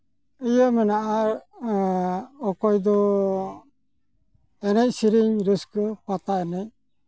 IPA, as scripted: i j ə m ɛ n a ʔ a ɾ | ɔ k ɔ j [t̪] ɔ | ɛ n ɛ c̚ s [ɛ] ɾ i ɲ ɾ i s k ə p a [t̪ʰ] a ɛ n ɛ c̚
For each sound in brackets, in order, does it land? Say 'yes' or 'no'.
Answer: no, no, no

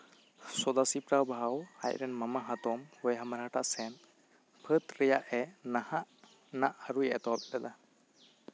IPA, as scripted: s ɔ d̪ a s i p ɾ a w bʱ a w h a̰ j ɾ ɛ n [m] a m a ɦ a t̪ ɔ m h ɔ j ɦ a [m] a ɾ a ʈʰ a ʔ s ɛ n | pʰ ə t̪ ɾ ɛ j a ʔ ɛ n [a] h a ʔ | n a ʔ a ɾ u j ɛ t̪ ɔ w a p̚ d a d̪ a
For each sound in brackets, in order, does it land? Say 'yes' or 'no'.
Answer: yes, yes, yes

